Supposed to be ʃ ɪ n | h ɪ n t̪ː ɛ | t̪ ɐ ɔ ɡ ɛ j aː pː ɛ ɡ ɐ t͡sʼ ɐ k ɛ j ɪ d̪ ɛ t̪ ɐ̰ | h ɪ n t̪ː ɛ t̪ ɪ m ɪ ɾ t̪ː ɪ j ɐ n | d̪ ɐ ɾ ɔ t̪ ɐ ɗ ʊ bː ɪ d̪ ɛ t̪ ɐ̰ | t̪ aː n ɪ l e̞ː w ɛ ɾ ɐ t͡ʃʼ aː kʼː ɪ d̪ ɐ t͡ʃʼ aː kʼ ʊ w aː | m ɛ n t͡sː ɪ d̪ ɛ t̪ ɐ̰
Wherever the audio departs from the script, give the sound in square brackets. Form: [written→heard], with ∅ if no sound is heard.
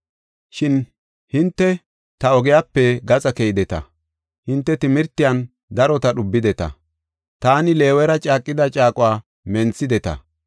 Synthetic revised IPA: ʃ ɪ n | h ɪ n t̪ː ɛ | t̪ ɐ ɔ ɡ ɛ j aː pː ɛ ɡ ɐ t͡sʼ ɐ k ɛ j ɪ d̪ ɛ t̪ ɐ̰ | h ɪ n t̪ː ɛ t̪ ɪ m ɪ ɾ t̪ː ɪ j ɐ n | d̪ ɐ ɾ ɔ t̪ ɐ ɗ ʊ bː ɪ d̪ ɛ t̪ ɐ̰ | t̪ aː n ɪ l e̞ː w ɛ ɾ ɐ t͡ʃʼ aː kʼː ɪ d̪ ɐ t͡ʃʼ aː kʼ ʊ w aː | m ɛ n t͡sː ɪ d̪ ɛ t̪ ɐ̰